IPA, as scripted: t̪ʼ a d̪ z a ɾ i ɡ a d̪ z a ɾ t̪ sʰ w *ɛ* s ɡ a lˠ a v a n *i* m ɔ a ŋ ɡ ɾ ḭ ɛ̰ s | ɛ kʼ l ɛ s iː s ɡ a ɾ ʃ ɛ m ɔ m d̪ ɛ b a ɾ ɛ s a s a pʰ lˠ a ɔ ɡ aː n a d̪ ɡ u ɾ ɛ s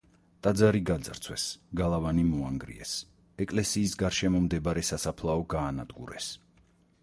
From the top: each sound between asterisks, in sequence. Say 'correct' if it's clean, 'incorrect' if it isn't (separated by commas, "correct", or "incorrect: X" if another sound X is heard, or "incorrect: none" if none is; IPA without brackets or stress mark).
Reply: correct, correct